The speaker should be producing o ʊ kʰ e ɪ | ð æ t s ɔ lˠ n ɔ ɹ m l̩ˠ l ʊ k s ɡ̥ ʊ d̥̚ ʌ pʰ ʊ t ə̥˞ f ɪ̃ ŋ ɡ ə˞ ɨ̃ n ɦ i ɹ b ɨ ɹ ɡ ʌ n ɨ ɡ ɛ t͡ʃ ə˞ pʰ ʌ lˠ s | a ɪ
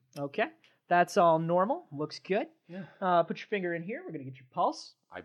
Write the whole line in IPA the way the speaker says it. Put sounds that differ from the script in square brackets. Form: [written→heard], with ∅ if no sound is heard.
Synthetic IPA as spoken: o ʊ kʰ e ɪ | ð æ t s ɔ lˠ n ɔ ɹ m l̩ˠ l ʊ k s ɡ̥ ʊ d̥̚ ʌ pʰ ʊ [t→t͡ʃ] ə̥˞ f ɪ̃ ŋ ɡ ə˞ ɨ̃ n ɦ i ɹ [b→w] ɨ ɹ ɡ ʌ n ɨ ɡ ɛ t͡ʃ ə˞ pʰ ʌ lˠ s | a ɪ